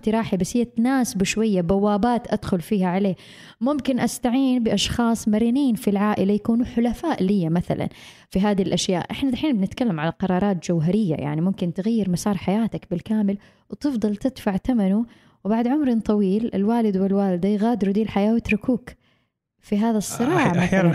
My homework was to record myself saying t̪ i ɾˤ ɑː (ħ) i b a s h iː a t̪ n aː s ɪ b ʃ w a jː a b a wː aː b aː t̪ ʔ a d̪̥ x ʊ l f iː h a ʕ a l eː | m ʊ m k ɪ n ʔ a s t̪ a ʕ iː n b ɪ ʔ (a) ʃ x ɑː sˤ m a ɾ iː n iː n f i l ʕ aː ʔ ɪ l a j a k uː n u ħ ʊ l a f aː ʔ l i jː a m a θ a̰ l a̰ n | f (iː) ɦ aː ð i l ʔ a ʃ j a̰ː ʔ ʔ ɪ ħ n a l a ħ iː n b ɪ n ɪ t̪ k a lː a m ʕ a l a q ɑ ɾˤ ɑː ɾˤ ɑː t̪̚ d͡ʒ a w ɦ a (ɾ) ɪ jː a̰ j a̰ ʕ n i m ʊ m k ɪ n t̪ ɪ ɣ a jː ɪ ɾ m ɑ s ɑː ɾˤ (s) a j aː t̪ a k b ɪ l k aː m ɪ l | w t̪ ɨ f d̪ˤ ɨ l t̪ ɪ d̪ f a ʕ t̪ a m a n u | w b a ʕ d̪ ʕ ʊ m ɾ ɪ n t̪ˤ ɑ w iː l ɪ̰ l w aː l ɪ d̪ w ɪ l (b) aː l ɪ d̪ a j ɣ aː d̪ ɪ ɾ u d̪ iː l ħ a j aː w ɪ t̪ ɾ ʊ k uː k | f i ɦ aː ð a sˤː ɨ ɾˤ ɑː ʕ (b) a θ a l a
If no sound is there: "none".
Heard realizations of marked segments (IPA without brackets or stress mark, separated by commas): ħ, ɑ, i, ɾ, ħ, w, m